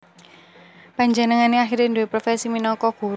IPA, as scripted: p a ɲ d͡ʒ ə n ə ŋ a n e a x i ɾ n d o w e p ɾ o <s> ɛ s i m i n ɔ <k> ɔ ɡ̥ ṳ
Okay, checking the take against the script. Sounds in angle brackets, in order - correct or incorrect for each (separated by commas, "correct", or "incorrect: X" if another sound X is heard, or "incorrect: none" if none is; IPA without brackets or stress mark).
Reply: incorrect: f, correct